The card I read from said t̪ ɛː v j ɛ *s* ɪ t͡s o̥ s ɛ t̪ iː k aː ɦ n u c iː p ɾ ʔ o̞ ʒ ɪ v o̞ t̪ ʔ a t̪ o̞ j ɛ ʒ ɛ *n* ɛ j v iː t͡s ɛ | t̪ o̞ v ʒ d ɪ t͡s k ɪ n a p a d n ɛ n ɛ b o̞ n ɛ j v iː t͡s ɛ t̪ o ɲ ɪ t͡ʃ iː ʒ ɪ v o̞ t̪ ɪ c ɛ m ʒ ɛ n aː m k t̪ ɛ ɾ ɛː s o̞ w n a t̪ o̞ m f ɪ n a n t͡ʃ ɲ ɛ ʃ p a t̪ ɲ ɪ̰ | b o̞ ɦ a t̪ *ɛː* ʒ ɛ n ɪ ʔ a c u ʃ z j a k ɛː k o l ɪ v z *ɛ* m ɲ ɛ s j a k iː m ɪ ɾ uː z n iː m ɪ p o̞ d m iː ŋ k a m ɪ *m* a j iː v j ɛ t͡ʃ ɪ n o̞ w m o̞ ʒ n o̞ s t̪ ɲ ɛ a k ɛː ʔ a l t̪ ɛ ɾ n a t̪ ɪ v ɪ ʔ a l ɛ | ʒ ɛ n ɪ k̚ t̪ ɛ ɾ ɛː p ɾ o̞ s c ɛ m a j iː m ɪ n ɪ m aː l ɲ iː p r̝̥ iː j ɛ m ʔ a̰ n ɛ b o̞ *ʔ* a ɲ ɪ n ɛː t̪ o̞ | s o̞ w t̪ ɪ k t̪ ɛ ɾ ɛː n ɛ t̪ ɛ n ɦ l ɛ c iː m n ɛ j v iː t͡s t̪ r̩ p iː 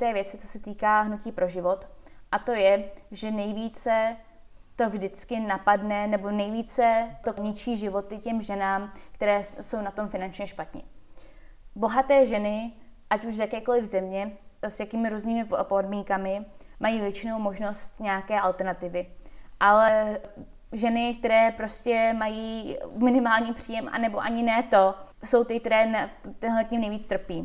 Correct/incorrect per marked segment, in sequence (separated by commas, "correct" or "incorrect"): incorrect, correct, correct, correct, correct, correct